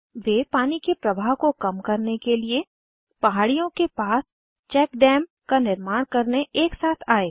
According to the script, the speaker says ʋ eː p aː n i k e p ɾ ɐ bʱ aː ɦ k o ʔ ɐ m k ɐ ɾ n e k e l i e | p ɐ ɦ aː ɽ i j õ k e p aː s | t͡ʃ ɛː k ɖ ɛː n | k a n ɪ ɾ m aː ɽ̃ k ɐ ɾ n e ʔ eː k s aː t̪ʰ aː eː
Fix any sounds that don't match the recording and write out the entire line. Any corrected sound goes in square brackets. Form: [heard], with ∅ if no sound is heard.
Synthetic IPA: ʋ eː p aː n i k e p ɾ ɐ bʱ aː ɦ k o [k] ɐ m k ɐ ɾ n e k e l i e | p ɐ ɦ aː ɽ i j õ k e p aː s | t͡ʃ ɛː k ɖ ɛː [m] | k a n ɪ ɾ m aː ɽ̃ k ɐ ɾ n e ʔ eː k s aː t̪ʰ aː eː

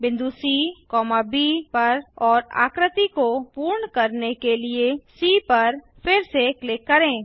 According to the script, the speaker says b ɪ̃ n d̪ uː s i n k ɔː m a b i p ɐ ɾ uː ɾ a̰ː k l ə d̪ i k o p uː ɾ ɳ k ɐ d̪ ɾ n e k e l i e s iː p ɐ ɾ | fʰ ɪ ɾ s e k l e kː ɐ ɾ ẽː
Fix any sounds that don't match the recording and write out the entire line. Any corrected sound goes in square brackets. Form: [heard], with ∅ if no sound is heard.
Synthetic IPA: b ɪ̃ n d̪ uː s i [∅] k ɔː m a b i p ɐ ɾ [ɔː] ɾ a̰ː k [ɾ] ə [t̪] i k o p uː ɾ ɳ k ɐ [∅] ɾ n e k e l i e s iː p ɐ ɾ | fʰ ɪ ɾ s e k l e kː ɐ ɾ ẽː

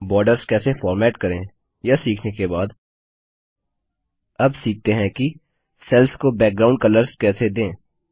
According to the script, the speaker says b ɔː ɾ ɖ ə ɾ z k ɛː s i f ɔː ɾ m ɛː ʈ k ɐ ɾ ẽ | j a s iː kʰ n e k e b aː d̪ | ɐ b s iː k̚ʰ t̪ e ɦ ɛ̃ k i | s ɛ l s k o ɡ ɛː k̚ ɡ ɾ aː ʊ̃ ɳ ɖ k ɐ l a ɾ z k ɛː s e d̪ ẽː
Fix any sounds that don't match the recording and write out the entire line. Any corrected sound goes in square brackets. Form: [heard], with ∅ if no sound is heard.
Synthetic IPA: b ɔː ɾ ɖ ə ɾ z k ɛː s [e] f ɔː ɾ m ɛː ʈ k ɐ ɾ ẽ | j a s iː kʰ n e k e b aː d̪ | ɐ b s iː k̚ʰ t̪ e ɦ ɛ̃ k i | s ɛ l s k o [b] ɛː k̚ ɡ ɾ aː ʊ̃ ɳ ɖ k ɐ l [ə] ɾ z k ɛː s e d̪ ẽː

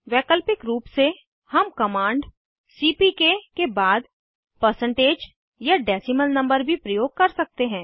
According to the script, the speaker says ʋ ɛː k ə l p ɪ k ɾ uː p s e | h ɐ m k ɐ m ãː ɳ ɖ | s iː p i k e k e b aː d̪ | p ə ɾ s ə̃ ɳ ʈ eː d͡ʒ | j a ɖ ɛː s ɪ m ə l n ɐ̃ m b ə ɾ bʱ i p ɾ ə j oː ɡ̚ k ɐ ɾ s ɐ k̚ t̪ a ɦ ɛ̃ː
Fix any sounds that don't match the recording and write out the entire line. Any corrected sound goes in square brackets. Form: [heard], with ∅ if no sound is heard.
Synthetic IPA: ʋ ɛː k ə l p ɪ k ɾ uː p s e | h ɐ m k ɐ m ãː ɳ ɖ | s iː p i k e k e b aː d̪ | p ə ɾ s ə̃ ɳ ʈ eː d͡ʒ | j a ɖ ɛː s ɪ m ə l n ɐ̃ m b ə ɾ bʱ i p ɾ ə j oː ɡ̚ k ɐ ɾ s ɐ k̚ t̪ [e] ɦ ɛ̃ː

